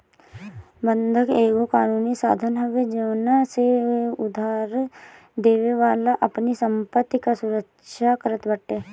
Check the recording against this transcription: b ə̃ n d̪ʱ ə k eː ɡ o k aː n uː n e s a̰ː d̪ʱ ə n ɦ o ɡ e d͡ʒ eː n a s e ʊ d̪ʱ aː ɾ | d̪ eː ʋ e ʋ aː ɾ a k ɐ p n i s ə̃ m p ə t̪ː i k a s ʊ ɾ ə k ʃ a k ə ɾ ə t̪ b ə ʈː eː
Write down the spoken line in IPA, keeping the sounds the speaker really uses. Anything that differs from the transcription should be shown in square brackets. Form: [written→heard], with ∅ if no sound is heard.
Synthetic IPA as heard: b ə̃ n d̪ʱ ə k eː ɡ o k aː n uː n [e→i] s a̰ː d̪ʱ ə n ɦ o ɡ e d͡ʒ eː n a s e ʊ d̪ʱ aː ɾ | d̪ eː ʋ e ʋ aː [ɾ→l] a [k→ʔ] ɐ p n i s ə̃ m p ə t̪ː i k a s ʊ ɾ ə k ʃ a k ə ɾ ə t̪ b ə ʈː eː